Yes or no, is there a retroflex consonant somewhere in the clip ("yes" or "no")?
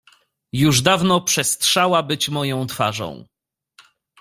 yes